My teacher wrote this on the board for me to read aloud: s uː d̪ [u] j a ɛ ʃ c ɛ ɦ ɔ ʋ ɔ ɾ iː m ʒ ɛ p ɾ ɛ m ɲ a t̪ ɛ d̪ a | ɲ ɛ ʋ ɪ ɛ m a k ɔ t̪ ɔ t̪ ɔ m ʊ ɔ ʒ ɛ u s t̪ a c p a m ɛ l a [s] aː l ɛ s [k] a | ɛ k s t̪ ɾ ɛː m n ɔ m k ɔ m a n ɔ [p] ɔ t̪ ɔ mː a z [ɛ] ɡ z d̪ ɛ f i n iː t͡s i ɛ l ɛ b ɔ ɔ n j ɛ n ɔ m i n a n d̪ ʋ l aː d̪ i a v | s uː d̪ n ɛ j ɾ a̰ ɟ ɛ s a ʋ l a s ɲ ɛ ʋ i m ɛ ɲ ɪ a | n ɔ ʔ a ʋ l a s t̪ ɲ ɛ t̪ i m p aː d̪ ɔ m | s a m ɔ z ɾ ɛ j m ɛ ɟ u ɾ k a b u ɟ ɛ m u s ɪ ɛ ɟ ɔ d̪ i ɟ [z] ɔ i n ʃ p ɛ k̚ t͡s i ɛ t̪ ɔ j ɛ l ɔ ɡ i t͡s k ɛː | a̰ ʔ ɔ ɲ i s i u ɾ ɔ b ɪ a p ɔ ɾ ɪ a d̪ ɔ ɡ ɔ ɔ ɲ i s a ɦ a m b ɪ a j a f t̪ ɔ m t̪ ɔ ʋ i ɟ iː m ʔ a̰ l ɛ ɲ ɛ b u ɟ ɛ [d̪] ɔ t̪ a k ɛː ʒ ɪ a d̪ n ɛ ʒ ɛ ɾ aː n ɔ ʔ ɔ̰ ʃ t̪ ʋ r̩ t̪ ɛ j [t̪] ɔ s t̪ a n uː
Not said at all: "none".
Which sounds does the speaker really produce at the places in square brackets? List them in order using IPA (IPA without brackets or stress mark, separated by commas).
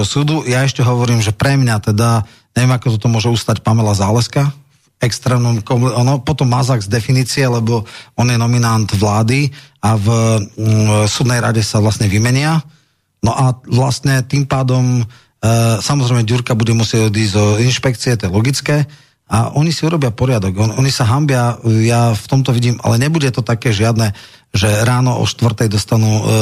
u, z, k, p, a, z, t̪, d̪